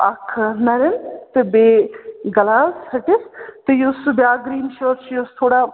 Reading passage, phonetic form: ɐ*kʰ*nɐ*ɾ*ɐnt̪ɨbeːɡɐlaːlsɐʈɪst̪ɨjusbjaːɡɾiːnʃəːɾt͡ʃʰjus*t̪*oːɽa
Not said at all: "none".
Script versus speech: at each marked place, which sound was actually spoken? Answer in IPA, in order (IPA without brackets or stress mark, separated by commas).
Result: kʰ, ɾ, t̪ʰ